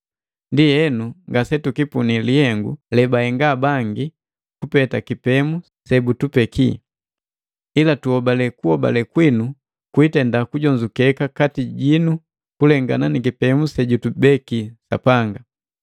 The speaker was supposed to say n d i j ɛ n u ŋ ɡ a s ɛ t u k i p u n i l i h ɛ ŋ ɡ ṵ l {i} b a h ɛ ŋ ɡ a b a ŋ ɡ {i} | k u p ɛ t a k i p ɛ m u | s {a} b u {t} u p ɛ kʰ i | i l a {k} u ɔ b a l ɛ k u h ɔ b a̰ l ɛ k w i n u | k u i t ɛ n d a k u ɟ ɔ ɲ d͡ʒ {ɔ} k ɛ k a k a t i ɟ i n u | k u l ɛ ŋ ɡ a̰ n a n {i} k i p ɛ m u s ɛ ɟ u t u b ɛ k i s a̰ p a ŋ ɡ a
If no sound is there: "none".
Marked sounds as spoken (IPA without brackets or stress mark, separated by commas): ɛ, i, ɛ, t, t, u, i